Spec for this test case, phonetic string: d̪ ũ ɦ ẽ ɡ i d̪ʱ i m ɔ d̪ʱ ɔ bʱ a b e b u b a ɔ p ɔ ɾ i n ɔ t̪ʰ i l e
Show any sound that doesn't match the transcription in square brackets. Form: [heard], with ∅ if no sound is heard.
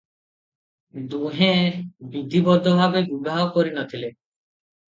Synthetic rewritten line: d̪ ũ ɦ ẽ [b] i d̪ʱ i [b] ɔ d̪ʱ ɔ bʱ a b e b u b a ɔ [k] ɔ ɾ i n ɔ t̪ʰ i l e